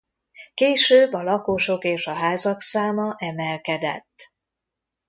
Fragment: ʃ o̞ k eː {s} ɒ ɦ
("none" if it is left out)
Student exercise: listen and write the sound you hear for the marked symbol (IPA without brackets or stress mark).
ʃ